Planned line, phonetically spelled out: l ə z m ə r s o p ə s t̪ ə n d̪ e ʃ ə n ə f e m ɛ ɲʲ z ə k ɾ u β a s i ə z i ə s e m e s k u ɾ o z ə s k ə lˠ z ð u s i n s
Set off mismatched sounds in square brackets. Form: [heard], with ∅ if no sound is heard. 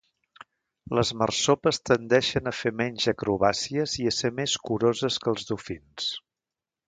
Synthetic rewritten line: l ə z m ə r s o p ə s t̪ ə n d̪ [ɛ] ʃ ə n ə f e m ɛ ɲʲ [ʒ] ə k ɾ u β a s i ə z i ə s e m e s k u ɾ o z ə s k ə lˠ z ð u [f] i n s